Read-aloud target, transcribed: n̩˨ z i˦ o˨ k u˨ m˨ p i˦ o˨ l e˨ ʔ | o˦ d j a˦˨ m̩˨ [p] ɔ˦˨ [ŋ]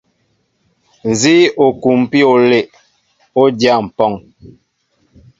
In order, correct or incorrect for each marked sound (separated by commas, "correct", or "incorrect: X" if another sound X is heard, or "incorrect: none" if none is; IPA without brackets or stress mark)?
correct, correct